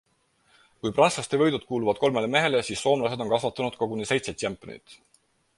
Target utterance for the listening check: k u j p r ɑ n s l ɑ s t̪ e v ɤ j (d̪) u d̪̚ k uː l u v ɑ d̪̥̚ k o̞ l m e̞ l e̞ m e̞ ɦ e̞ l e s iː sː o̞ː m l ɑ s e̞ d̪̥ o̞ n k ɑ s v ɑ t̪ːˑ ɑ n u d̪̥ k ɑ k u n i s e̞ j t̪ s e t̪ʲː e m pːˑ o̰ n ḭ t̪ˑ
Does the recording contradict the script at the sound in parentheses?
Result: no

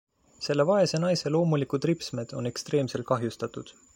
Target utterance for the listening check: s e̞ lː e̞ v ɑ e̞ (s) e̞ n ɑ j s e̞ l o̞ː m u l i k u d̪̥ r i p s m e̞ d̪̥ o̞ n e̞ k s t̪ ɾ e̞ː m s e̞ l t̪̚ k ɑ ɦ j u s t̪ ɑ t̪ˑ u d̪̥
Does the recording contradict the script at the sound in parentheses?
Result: no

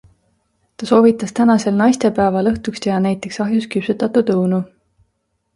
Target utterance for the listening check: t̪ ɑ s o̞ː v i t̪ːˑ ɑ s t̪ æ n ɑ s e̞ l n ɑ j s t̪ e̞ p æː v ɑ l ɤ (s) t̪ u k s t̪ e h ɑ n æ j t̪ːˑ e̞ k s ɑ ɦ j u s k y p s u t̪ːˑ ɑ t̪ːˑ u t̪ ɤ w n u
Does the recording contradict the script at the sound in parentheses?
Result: yes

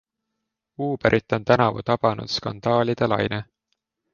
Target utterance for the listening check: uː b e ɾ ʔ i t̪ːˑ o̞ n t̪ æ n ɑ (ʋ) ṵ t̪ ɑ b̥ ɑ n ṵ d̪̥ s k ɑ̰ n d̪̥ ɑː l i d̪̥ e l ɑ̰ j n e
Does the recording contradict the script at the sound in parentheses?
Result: yes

